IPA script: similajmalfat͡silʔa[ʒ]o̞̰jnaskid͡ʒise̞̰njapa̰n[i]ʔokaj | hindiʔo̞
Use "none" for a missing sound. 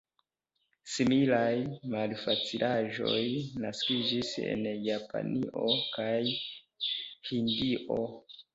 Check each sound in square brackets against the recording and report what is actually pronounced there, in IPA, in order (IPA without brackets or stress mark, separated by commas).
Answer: ʒ, i